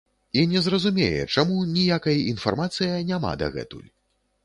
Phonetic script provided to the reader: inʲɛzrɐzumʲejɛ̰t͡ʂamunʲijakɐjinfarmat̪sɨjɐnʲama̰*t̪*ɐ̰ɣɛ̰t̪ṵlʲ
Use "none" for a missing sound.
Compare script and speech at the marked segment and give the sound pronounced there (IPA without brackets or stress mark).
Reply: d̪